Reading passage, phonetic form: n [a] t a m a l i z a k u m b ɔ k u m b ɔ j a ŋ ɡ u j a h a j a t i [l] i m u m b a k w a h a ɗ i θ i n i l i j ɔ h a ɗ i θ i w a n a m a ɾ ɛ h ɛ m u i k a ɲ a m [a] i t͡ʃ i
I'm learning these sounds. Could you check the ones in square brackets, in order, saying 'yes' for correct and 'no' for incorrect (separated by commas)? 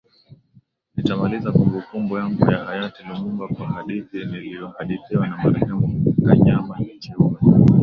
no, yes, yes